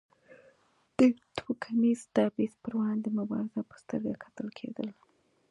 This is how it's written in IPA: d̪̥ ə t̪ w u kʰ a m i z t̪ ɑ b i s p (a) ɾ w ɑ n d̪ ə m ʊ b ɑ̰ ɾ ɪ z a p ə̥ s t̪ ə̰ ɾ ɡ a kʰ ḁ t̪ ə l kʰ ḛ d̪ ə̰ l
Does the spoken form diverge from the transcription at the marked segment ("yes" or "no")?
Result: yes